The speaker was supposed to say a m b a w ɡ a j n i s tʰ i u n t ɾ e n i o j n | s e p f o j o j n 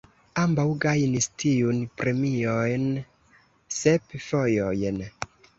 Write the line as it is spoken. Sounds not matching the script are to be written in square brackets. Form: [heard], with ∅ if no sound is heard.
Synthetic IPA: a m b a w ɡ a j n i s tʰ i u n [p] ɾ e [m] i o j n | s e p f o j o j n